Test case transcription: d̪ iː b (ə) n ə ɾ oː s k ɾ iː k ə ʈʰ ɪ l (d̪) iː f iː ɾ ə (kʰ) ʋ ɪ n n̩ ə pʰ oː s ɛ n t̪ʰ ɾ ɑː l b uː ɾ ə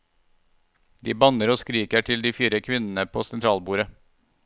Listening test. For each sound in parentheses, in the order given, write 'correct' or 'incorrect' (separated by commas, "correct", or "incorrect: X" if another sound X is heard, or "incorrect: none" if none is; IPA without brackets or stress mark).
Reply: incorrect: ɑ, correct, correct